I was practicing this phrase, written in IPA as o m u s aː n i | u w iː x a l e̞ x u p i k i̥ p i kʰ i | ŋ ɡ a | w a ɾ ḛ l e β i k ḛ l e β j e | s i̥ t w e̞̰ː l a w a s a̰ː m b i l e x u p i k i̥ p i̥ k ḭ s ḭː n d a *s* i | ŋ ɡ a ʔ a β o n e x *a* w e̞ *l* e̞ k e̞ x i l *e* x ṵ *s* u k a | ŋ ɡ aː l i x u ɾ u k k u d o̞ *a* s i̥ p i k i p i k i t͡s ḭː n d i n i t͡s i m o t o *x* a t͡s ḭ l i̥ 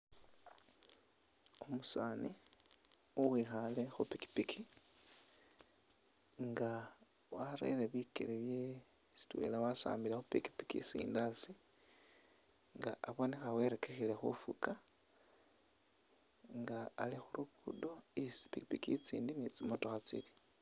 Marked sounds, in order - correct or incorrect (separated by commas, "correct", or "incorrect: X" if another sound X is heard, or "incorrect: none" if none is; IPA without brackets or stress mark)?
correct, correct, incorrect: ɾ, correct, incorrect: f, incorrect: i, correct